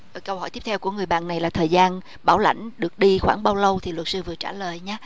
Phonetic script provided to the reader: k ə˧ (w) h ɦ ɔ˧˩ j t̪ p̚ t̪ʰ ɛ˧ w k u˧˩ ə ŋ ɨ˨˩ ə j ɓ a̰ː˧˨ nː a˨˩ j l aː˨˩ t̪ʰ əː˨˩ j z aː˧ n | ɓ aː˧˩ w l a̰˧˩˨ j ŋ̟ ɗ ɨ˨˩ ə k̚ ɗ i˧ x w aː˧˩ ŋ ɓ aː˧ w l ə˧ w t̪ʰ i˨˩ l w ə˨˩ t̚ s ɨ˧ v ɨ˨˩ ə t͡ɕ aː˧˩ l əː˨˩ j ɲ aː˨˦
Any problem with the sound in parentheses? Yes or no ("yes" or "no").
no